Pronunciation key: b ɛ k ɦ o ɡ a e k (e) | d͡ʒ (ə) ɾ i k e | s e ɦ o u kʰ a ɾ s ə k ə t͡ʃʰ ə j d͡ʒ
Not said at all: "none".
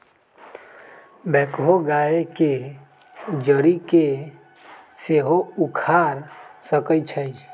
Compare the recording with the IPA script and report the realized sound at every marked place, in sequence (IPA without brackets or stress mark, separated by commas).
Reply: e, ə